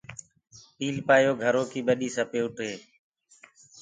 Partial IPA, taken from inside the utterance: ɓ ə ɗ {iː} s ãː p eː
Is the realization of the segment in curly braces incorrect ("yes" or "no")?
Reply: no